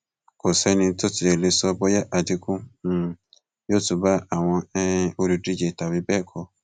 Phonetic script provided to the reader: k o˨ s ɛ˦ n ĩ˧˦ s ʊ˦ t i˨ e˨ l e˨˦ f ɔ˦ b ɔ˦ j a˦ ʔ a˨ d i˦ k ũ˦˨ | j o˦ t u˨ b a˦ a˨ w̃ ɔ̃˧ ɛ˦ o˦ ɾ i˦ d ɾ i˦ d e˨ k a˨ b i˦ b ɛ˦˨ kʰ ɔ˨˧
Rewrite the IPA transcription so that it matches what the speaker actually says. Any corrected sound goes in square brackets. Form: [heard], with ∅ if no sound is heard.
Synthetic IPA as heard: k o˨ s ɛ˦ n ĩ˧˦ [t] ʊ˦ t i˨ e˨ l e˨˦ [s] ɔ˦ b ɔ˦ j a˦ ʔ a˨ d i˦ k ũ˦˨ | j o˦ t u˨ b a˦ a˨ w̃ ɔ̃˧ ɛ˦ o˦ ɾ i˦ d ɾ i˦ [d͡ʒ] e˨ [t] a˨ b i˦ b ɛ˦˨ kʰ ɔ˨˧